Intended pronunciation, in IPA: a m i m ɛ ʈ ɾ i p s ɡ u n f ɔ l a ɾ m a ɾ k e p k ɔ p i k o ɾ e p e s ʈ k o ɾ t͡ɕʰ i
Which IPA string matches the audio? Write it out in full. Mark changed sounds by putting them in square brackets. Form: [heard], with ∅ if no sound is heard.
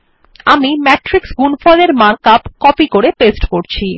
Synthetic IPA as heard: a m i m ɛ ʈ ɾ i [k] s ɡ u n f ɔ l [e] ɾ m a ɾ k [a] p k ɔ p i k o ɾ e p e s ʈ k o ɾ t͡ɕʰ i